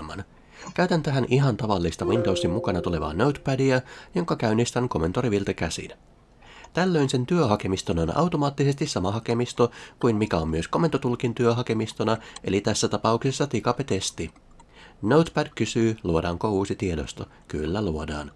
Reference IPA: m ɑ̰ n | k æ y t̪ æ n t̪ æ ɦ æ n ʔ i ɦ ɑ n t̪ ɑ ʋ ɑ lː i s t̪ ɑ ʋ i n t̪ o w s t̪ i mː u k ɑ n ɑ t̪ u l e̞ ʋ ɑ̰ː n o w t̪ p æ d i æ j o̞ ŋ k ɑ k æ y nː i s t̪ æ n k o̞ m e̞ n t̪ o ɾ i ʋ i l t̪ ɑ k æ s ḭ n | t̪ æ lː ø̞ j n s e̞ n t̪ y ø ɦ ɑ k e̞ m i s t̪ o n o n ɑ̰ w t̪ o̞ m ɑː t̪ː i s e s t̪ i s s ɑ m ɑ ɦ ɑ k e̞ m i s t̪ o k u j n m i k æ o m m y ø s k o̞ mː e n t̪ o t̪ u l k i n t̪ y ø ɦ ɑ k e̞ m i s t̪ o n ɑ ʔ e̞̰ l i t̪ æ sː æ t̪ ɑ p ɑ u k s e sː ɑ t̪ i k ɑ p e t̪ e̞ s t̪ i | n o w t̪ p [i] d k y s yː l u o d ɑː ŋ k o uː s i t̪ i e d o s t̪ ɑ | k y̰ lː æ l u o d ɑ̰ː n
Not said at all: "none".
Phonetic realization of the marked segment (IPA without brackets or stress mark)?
æ